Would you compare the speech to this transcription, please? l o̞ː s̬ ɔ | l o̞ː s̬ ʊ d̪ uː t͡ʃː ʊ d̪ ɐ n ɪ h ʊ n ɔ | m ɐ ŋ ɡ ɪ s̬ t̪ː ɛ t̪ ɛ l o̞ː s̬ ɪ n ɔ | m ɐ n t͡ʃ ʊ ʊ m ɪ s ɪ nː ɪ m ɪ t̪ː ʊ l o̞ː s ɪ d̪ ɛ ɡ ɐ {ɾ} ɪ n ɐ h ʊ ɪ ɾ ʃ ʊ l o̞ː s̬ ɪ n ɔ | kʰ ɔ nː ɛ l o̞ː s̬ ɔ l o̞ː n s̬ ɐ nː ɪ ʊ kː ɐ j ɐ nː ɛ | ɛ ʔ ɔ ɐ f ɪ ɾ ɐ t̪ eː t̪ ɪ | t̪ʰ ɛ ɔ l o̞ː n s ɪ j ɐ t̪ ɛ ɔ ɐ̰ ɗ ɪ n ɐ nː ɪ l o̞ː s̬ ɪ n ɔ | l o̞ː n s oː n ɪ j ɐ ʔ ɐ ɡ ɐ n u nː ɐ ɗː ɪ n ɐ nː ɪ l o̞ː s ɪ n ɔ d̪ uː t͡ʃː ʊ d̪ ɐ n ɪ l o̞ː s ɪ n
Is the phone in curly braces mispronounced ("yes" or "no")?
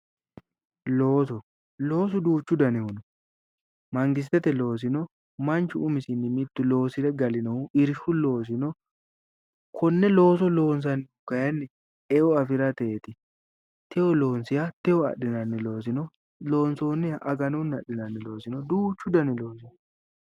yes